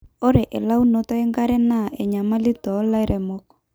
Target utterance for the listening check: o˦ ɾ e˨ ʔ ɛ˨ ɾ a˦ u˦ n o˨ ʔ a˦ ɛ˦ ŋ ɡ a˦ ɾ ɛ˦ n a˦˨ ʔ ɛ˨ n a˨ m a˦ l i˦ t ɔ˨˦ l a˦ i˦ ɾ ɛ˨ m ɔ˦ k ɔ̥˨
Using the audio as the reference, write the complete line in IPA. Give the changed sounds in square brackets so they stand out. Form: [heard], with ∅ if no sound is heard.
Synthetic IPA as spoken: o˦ ɾ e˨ ʔ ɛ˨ [l] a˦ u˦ n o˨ [t] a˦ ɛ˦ ŋ ɡ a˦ ɾ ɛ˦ n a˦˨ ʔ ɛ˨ [ɲ] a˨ m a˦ l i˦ t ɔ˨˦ l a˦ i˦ ɾ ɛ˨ m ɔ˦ k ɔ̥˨